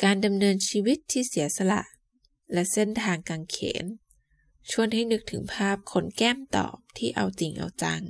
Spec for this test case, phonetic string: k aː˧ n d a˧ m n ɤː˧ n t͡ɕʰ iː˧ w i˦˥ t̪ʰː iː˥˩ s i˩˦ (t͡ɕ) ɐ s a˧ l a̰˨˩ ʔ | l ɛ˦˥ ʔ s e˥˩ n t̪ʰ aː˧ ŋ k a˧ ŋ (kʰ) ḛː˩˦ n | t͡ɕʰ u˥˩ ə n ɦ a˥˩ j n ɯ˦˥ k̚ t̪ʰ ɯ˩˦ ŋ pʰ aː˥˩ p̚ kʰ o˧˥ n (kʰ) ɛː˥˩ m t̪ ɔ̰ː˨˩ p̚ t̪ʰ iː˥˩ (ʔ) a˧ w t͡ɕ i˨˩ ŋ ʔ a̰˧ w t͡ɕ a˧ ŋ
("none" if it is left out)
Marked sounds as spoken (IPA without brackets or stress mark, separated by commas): none, kʰ, k, ʔ